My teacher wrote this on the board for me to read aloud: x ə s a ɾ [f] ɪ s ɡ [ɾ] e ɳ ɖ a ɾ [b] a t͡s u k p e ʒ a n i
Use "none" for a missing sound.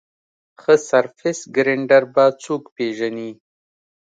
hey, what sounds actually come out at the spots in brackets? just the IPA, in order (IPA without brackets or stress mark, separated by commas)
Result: f, ɾ, b